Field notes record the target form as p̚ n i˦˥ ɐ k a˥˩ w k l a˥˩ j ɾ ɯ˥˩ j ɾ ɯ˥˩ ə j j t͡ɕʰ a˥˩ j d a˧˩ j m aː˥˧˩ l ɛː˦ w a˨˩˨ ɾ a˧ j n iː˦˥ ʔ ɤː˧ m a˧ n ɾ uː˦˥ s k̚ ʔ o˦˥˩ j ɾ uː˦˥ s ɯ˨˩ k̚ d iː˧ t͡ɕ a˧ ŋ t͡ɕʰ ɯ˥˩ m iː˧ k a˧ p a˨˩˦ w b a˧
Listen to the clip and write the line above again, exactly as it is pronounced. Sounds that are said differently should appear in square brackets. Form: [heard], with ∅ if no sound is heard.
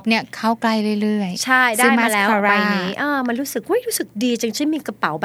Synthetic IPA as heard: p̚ n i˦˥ ɐ [kʰ] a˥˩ w k l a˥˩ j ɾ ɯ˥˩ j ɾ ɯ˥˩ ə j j t͡ɕʰ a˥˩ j d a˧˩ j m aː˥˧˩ l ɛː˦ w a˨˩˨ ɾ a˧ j n iː˦˥ ʔ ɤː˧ m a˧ n ɾ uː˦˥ s k̚ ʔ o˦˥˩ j ɾ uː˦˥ s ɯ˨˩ k̚ d iː˧ t͡ɕ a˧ ŋ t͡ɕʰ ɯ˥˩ m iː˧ k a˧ p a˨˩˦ w b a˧